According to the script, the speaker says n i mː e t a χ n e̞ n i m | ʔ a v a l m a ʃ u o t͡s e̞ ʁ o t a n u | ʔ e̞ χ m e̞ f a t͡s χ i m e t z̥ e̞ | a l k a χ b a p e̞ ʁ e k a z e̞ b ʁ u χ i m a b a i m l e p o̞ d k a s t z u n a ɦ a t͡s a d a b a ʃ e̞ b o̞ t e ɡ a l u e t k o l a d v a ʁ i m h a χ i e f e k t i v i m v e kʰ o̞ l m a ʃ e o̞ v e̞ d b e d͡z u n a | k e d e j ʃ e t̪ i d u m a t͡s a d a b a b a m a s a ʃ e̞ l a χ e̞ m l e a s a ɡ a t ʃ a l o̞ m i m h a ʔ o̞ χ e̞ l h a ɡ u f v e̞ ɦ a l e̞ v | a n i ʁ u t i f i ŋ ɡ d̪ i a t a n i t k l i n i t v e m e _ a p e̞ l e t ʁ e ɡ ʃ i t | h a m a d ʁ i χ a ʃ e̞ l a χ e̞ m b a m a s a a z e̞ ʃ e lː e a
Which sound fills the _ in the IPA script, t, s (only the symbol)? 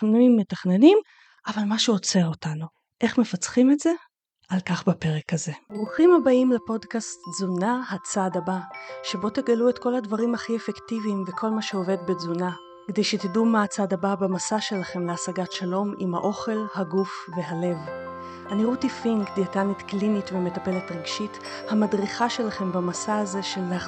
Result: t